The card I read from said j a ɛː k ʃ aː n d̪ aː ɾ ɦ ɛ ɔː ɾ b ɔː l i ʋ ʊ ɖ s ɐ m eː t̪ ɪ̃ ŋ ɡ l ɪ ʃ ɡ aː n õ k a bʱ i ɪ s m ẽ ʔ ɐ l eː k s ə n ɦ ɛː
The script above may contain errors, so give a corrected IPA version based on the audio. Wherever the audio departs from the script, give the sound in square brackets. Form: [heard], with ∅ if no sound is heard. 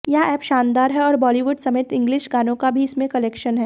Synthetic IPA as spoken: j a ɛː [p] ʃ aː n d̪ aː ɾ ɦ ɛ ɔː ɾ b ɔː l i ʋ ʊ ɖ s ɐ m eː t̪ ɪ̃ ŋ ɡ l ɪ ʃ ɡ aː n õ k a bʱ i ɪ s m ẽ [k] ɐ l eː k [ʃ] ə n ɦ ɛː